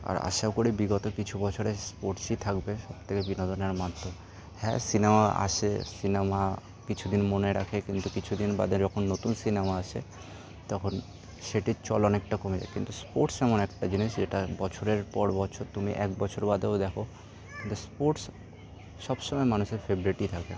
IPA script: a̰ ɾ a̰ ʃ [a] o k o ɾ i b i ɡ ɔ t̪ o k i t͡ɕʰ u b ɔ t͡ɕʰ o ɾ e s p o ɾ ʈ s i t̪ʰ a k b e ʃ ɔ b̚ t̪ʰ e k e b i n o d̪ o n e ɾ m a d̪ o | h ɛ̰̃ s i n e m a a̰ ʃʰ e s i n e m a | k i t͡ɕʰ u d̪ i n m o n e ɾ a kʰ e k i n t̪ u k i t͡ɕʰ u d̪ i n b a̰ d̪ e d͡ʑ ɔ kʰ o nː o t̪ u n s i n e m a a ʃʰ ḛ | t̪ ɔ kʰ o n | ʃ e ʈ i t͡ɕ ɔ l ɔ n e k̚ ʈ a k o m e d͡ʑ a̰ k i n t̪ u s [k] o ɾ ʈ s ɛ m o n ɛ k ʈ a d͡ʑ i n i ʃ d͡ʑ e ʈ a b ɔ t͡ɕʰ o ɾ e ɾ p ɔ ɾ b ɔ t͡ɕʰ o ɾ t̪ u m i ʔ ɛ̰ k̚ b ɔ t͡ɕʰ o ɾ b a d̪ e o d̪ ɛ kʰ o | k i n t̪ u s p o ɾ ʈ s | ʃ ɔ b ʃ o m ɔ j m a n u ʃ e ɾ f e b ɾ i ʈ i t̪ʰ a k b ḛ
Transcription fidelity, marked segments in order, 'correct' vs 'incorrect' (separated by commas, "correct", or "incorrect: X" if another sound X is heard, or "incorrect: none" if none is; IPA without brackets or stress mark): correct, incorrect: p